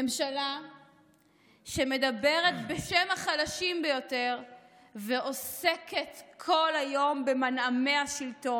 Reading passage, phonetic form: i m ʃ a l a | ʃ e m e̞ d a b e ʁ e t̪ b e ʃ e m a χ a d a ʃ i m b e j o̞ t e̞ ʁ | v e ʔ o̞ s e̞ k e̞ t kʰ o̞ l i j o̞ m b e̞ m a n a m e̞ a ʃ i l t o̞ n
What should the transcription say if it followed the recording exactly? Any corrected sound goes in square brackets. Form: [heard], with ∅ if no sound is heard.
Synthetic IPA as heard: [e] m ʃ a l a | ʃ e m e̞ d a b e ʁ e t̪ b e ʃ e m a χ a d a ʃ i m b e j o̞ t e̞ ʁ | v e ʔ o̞ s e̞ k e̞ t kʰ o̞ l [a] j o̞ m b e̞ m a n a m e̞ a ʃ i l t o̞ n